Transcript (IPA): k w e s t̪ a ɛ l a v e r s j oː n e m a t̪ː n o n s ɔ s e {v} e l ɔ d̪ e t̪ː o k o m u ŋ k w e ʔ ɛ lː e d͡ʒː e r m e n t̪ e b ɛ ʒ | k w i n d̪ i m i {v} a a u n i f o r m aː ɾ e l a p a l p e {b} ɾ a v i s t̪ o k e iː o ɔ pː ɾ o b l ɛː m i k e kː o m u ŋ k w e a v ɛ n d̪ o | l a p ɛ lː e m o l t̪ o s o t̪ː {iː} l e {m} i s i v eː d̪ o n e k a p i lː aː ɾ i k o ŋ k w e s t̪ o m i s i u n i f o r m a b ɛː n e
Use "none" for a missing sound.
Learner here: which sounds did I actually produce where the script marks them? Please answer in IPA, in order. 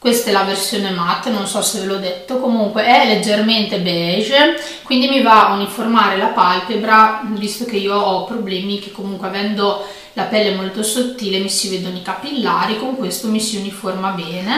v, v, b, iː, m

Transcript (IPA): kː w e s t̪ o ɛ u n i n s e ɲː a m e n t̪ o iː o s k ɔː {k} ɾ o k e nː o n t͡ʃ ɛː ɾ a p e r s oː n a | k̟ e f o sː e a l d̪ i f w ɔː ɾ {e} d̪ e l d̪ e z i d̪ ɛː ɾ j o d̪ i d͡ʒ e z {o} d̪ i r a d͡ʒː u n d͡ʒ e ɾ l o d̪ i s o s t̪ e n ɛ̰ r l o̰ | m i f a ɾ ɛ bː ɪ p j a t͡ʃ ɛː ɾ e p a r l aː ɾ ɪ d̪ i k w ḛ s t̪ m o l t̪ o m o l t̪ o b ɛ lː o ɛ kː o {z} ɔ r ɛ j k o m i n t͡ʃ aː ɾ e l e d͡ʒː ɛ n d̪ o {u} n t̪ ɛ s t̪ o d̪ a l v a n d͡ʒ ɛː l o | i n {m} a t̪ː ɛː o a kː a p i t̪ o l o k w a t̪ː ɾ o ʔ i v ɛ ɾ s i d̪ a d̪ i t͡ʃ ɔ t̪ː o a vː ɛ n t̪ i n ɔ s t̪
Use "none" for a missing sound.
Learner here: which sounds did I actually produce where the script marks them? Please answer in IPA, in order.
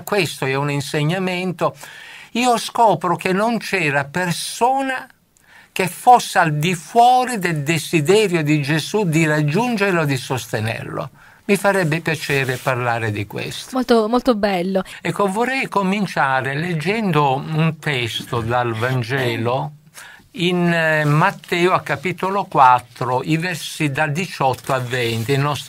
p, i, u, v, u, m

